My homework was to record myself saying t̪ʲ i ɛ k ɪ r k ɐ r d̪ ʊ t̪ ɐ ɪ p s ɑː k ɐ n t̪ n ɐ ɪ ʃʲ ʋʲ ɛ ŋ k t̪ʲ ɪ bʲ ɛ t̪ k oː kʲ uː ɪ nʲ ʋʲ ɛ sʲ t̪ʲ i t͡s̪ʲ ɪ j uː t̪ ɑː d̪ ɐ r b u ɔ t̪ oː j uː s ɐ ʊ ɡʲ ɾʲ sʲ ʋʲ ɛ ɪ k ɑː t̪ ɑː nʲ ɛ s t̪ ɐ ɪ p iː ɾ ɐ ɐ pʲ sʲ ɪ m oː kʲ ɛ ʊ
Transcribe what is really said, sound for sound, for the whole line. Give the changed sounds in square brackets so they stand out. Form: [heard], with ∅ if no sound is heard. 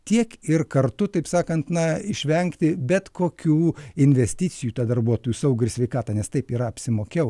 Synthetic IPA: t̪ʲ i ɛ k ɪ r k ɐ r [t̪] ʊ t̪ ɐ ɪ p s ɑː k ɐ n t̪ n ɐ ɪ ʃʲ ʋʲ ɛ ŋ k t̪ʲ ɪ bʲ ɛ t̪ k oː kʲ uː ɪ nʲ ʋʲ ɛ sʲ t̪ʲ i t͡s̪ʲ ɪ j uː t̪ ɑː d̪ ɐ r b u ɔ t̪ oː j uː s ɐ ʊ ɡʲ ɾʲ sʲ ʋʲ ɛ ɪ k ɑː t̪ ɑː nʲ ɛ s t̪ ɐ ɪ p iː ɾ ɐ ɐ pʲ sʲ ɪ m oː kʲ ɛ ʊ